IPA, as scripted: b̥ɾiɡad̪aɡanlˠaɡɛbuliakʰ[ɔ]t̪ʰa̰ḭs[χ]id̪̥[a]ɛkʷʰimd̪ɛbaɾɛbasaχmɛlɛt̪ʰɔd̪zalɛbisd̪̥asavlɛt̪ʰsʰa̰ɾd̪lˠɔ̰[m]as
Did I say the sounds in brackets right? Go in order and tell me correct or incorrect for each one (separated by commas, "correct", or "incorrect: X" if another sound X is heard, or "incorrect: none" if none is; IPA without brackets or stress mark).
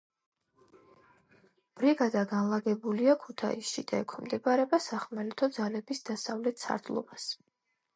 incorrect: u, incorrect: ʃ, correct, incorrect: b